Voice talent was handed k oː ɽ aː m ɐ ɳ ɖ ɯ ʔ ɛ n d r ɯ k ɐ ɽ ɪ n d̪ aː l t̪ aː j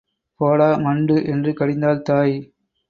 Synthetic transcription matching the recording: p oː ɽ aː m ɐ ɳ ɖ ɯ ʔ ɛ n d r ɯ k ɐ ɽ ɪ n d̪ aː l t̪ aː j

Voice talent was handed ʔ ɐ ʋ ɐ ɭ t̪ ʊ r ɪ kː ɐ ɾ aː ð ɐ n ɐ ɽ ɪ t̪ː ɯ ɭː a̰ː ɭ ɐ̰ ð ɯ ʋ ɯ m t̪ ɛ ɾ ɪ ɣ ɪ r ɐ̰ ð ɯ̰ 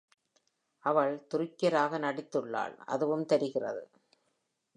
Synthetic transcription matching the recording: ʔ ɐ ʋ ɐ ɭ t̪ ʊ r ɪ kː ɐ ɾ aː ɣ ɐ n ɐ ɽ ɪ t̪ː ɯ ɭː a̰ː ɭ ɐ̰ ð ɯ ʋ ɯ m t̪ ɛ ɾ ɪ ɣ ɪ r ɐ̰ ð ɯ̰

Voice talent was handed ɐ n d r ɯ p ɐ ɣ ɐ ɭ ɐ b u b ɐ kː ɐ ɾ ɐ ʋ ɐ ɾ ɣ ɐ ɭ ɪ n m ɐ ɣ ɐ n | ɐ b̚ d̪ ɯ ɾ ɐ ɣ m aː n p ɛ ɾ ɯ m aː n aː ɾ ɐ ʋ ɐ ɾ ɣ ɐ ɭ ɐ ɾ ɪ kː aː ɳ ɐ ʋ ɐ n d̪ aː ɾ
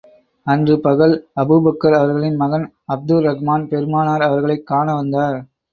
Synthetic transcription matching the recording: ɐ n d r ɯ p ɐ ɣ ɐ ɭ ɐ b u b ɐ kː ɐ ɾ ɐ ʋ ɐ ɾ ɣ ɐ ɭ ɪ n m ɐ ɣ ɐ n | ɐ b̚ d̪ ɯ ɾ ɐ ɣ m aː n p ɛ ɾ ɯ m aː n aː ɾ ɐ ʋ ɐ ɾ ɣ ɐ ɭ ɐ ɪ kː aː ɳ ɐ ʋ ɐ n d̪ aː ɾ

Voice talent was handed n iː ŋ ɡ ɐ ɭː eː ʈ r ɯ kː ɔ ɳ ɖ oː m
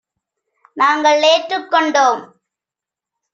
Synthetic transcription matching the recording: n aː ŋ ɡ ɐ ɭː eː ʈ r ɯ kː ɔ ɳ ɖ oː m

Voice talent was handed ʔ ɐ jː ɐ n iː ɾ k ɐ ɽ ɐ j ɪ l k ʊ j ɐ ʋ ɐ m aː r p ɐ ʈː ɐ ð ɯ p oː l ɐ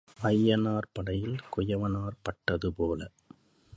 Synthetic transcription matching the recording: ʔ ɐ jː ɐ n aː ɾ p ɐ ɽ ɐ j ɪ l k ʊ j ɐ ʋ ɐ n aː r p ɐ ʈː ɐ ð ɯ p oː l ɐ

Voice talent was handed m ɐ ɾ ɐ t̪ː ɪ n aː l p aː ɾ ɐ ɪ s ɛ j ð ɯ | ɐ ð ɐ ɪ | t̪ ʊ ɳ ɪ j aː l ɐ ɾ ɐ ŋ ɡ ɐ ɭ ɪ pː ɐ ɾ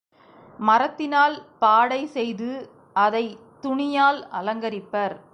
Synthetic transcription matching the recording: m ɐ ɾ ɐ t̪ː ɪ n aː l p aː ɽ ɐ ɪ s ɛ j ð ɯ | ɐ ð ɐ ɪ | t̪ ʊ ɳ ɪ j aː l ɐ l ɐ ŋ ɡ ɐ ɾ ɪ pː ɐ ɾ

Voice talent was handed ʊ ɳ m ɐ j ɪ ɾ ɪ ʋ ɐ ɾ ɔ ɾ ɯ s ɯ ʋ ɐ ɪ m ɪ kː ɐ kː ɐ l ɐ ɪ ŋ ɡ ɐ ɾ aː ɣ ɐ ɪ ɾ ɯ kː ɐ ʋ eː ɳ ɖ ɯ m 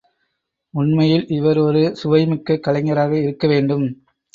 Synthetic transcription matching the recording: ʊ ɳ m ɐ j ɪ l ɪ ʋ ɐ ɾ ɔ ɾ ɯ s ʊ ʋ ɐ ɪ m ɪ kː ɐ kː ɐ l ɐ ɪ ŋ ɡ ɐ ɾ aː ɣ ɐ ɪ ɾ ɯ kː ɐ ʋ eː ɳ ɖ ɯ m

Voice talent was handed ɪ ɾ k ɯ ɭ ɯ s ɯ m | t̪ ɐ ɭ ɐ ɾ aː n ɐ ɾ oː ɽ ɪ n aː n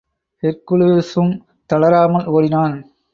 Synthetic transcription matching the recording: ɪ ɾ k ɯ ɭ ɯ s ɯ m | t̪ ɐ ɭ ɐ ɾ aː m ɐ l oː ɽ ɪ n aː n

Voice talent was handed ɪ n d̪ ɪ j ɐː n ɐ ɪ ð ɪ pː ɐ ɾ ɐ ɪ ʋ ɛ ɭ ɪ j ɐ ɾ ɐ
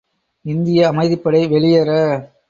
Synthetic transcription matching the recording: ɪ n d̪ ɪ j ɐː m ɐ ɪ ð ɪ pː ɐ ɽ ɐ ɪ ʋ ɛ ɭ ɪ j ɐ ɾ ɐ

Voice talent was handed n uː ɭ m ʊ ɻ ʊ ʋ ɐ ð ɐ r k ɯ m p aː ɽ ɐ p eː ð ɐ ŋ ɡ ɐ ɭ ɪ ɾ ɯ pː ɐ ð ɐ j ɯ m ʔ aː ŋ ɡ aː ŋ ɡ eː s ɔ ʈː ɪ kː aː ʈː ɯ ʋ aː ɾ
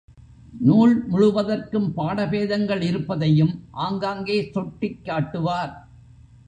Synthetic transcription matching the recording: n uː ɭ m ʊ ɻ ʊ ʋ ɐ ð ɐ r k ɯ m p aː ɽ ɐ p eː ð ɐ ŋ ɡ ɐ ɭ ɪ ɾ ɯ pː ɐ ð ɐ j ɯ m ʔ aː ŋ ɡ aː ŋ ɡ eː s ɔ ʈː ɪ kː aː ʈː ɯ ʋ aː ɾ

